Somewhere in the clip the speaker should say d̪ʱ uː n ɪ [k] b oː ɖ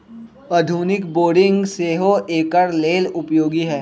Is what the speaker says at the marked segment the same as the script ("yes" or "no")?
yes